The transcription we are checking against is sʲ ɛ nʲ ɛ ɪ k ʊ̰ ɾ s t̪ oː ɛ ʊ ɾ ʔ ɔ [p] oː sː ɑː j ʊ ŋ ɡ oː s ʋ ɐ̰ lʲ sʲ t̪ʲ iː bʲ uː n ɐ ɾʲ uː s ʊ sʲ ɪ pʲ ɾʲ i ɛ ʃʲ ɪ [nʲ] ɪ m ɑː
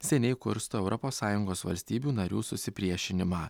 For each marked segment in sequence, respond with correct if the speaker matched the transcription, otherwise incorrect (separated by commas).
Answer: correct, correct